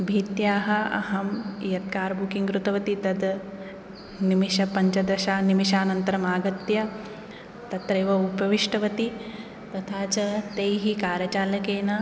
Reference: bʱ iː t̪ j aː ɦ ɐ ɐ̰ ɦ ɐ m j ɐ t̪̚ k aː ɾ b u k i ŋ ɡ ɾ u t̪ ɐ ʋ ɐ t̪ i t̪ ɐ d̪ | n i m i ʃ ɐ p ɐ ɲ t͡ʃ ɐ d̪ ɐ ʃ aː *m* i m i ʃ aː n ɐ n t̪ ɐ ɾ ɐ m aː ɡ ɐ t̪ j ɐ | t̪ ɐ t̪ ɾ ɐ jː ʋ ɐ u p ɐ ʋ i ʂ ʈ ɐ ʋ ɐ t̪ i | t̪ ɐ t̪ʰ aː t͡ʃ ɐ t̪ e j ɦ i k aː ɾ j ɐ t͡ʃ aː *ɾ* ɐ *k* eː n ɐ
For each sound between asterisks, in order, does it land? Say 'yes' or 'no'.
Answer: no, no, yes

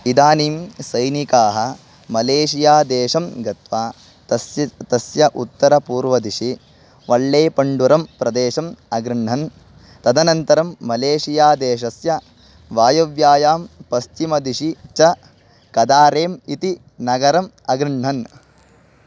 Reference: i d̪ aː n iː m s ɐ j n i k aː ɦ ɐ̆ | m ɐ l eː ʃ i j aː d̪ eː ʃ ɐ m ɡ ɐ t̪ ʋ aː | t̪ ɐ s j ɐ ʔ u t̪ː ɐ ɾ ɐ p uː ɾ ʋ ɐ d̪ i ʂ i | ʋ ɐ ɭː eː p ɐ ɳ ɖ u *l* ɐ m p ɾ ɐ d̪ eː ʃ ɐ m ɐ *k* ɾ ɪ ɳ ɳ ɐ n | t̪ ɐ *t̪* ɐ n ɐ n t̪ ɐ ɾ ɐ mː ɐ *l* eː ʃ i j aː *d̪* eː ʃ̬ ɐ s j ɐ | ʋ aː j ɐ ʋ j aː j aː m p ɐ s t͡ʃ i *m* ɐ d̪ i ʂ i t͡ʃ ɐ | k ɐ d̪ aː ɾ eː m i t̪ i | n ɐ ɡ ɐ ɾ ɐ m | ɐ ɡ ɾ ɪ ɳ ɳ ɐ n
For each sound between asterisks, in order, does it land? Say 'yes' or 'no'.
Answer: no, no, no, yes, yes, yes

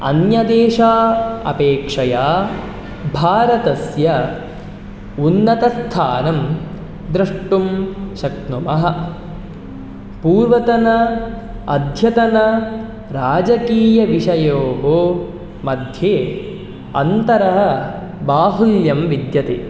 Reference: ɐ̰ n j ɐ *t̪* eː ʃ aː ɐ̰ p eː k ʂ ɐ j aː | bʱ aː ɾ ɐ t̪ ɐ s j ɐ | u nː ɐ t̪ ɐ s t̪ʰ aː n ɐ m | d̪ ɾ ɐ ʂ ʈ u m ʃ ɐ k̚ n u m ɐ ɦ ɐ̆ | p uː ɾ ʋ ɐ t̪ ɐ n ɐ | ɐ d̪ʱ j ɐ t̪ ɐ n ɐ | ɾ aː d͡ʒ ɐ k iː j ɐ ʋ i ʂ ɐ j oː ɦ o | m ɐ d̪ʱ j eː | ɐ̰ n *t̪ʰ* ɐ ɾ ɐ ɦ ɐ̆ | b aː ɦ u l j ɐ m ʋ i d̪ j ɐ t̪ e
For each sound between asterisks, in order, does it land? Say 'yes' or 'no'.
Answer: no, no

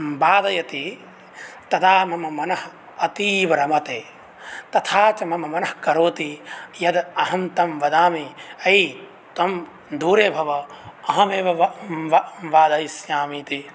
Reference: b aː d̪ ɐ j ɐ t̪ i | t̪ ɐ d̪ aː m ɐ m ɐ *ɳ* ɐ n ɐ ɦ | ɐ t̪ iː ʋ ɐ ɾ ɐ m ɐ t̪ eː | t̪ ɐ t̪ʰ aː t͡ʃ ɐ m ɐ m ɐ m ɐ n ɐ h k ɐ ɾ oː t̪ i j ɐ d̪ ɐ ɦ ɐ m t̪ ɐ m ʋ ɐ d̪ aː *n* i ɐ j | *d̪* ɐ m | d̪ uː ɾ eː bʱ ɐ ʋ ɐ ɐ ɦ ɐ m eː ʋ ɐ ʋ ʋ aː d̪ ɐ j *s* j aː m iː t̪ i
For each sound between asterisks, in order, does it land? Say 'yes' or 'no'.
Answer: no, no, no, yes

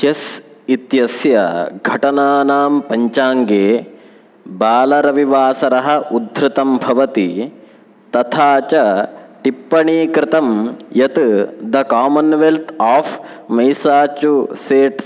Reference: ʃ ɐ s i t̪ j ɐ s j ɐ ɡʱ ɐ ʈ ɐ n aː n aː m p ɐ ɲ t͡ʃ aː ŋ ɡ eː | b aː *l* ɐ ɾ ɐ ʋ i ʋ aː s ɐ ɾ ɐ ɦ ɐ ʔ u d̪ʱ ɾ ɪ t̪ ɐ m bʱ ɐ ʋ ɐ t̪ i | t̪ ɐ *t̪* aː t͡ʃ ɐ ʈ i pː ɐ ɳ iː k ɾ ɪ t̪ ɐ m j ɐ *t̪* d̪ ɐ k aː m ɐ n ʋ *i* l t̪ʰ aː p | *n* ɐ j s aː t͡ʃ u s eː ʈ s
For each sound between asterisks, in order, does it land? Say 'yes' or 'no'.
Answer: yes, no, yes, no, no

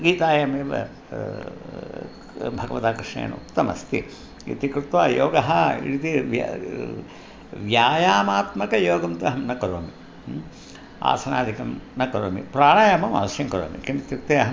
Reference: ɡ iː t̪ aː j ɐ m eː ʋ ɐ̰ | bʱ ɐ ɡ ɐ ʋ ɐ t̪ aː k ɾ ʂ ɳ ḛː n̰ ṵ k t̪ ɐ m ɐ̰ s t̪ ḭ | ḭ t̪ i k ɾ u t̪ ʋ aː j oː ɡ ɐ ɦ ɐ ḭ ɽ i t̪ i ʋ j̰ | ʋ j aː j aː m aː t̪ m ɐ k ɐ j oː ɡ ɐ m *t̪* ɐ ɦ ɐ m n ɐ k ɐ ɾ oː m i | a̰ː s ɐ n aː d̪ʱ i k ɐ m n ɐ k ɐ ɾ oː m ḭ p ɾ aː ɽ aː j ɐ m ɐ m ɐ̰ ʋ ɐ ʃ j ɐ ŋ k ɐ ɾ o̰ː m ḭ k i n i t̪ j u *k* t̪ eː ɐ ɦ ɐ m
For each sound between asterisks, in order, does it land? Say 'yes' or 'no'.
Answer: yes, yes

